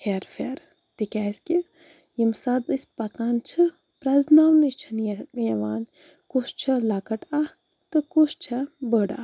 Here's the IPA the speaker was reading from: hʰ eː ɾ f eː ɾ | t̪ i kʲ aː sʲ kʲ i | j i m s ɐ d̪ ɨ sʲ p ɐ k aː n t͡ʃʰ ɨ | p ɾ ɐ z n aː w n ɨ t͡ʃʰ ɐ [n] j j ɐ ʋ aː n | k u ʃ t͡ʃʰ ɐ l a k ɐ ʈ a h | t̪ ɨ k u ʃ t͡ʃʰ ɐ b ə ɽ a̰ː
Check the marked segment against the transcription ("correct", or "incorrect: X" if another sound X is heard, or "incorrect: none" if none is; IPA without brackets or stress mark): correct